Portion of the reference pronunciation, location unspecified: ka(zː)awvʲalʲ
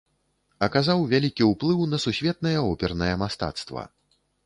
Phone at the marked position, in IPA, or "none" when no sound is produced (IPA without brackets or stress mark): z